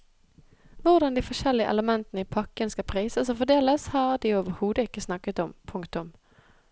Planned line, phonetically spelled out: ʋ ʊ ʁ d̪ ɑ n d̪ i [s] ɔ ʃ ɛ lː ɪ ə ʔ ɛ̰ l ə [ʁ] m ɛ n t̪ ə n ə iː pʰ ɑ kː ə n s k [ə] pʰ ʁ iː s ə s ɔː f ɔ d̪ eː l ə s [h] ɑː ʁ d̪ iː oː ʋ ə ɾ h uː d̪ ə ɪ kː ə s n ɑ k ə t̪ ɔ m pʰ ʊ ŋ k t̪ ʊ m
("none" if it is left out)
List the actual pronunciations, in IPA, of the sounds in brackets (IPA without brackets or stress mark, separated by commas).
f, none, ɑ, h